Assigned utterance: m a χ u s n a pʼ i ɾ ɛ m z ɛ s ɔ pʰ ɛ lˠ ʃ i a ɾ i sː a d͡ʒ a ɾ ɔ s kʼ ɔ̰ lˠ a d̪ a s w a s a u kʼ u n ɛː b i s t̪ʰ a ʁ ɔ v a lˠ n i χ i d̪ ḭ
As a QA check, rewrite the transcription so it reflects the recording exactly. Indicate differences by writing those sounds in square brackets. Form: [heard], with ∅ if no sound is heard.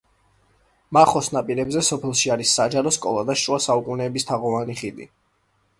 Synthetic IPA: m a χ [ɔ] s n a pʼ i ɾ ɛ [b] z ɛ s ɔ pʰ ɛ lˠ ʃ i a ɾ i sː a d͡ʒ a ɾ ɔ s kʼ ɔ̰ lˠ a d̪ a [ʃ] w a s a u kʼ u n ɛː b i s t̪ʰ a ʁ ɔ v a [∅] n i χ i d̪ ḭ